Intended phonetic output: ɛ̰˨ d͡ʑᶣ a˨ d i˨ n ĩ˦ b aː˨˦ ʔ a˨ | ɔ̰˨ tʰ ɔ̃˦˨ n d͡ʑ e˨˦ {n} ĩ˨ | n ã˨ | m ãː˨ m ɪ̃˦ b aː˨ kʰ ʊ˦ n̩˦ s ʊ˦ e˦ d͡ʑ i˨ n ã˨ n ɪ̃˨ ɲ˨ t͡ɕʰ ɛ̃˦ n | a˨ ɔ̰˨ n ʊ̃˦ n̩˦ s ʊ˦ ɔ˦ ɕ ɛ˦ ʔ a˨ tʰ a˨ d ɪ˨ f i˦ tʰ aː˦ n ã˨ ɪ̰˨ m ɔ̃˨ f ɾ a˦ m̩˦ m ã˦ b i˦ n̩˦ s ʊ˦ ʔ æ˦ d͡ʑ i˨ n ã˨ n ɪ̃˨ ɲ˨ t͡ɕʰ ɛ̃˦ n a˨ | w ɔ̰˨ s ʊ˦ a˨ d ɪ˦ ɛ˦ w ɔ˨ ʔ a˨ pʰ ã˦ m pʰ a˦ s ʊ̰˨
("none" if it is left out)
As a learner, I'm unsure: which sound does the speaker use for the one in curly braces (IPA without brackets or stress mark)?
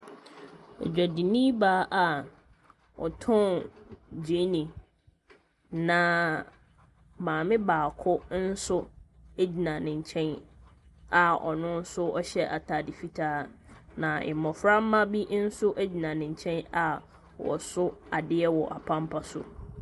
n